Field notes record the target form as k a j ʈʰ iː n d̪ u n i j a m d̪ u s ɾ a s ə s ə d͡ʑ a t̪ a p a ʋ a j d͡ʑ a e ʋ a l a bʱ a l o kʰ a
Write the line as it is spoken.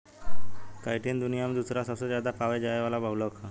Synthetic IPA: k a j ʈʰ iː n d̪ u n i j a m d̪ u s ɾ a s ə s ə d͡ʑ a d̪ a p a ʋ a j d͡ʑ a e ʋ a l a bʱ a l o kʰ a

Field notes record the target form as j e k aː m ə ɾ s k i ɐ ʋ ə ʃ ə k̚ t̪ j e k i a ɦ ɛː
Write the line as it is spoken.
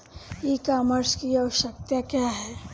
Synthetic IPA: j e k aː m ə ɾ s k i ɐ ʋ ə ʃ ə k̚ t̪ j a k j a ɦ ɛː

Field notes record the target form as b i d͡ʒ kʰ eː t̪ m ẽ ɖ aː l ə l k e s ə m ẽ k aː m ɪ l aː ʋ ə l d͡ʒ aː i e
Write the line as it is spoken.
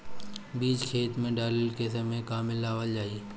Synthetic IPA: b iː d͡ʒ kʰ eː t̪ m ẽ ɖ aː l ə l k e s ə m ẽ k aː m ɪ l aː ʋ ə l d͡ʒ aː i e

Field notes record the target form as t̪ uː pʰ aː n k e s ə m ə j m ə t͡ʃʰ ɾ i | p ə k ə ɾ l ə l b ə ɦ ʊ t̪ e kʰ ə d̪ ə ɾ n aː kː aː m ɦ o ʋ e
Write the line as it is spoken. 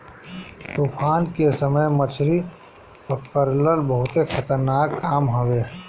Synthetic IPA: t̪ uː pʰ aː n k e s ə m ə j m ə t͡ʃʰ ɾ i | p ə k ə ɾ l ə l b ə ɦ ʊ t̪ e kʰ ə t̪ ə ɾ n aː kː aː m ɦ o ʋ e

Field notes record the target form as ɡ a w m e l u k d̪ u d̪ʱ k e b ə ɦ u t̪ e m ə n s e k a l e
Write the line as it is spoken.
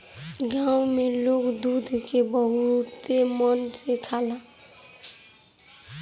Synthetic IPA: ɡ a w m e l o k d̪ u d̪ʱ k e b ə ɦ u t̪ e m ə n s e kʰ a l a

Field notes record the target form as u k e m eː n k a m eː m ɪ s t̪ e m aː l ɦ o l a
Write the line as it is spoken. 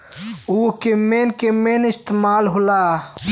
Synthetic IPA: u k e m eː n k e m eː n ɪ s t̪ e m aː l ɦ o l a

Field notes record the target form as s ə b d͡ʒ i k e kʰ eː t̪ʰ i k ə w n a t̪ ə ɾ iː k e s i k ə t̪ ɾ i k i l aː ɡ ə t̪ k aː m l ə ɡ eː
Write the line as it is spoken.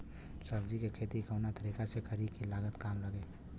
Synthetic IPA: s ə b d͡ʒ i k e kʰ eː t̪ i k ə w n a t̪ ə ɾ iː k a s e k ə ɾ i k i l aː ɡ ə t̪ k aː m l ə ɡ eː

